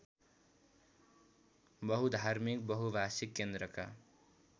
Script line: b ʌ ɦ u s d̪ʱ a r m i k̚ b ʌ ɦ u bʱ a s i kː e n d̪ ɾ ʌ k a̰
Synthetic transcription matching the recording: b ʌ ɦ u d̪ʱ a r m i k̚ b ʌ ɦ u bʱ a s i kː e n d̪ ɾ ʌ k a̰